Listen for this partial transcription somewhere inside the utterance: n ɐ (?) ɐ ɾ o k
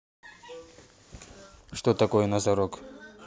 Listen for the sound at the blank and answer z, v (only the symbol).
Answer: z